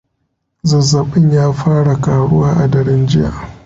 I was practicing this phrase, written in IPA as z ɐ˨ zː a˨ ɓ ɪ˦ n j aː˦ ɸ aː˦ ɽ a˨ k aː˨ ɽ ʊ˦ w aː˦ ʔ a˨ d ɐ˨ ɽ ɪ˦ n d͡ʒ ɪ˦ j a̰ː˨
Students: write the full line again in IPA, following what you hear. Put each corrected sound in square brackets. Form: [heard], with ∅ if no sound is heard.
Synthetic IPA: z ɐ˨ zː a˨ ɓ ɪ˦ [ɲ] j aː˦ ɸ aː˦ ɽ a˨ k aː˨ ɽ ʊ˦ w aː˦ ʔ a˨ d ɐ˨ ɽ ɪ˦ n d͡ʒ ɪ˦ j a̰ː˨